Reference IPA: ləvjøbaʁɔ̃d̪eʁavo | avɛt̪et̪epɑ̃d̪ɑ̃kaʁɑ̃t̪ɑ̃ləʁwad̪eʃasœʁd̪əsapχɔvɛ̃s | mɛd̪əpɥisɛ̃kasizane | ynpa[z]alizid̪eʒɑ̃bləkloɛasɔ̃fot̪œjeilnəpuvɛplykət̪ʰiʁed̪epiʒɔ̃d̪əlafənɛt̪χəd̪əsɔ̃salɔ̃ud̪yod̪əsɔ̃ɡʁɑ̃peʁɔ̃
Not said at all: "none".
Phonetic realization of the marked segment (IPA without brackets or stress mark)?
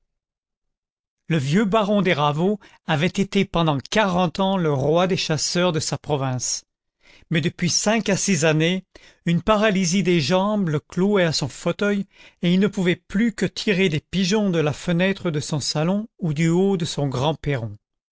ʁ